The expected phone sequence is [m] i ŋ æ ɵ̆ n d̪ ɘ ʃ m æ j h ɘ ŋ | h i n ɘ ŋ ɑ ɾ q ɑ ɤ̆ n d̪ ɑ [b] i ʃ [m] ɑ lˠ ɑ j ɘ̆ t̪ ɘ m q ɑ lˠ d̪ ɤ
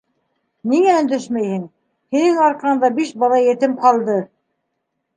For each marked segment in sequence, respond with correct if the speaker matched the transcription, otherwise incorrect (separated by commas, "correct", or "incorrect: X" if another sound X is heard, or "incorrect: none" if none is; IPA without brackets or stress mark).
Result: incorrect: n, correct, incorrect: b